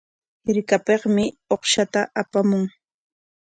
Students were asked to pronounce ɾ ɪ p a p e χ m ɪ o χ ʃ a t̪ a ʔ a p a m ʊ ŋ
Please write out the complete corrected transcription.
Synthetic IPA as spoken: ɾ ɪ k a p e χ m ɪ o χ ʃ a t̪ a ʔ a p a m ʊ ŋ